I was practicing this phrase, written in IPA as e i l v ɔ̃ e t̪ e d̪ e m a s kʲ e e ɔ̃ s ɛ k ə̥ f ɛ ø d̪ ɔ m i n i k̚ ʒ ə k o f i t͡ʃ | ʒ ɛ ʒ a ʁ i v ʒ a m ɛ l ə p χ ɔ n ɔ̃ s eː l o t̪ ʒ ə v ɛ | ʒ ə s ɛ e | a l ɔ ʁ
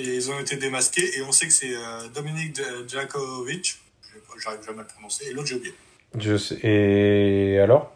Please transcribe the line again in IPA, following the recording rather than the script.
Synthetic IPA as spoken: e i l z ɔ̃ e t̪ e d̪ e m a s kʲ e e ɔ̃ s ɛ k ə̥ s ɛ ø d̪ ɔ m i n i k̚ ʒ a k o v i t͡ʃ | ʒ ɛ ʒ a ʁ i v ʒ a m ɛ l ə p χ ɔ n ɔ̃ s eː l o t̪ ʒ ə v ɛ | ʒ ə s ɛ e | a l ɔ ʁ